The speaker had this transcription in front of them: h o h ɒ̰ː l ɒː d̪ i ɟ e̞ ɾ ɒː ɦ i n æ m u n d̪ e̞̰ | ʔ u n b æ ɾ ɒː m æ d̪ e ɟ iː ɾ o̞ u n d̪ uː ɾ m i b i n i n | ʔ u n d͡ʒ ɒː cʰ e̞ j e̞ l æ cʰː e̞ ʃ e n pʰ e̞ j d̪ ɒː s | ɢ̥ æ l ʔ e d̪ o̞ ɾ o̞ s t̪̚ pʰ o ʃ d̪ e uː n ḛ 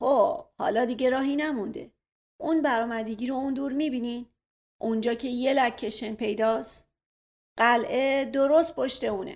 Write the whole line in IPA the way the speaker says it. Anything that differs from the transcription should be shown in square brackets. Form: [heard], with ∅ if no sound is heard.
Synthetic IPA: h o h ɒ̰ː l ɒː d̪ i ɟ e̞ ɾ ɒː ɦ i n æ m u n d̪ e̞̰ | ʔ u n b æ ɾ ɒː m æ d̪ e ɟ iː ɾ o̞ u n d̪ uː ɾ m i b i n i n | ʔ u n d͡ʒ ɒː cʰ e̞ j e̞ l æ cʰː e̞ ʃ e n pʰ e̞ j d̪ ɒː s | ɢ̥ æ l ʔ e d̪ o̞ ɾ o̞ s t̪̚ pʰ o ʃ [t̪] e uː n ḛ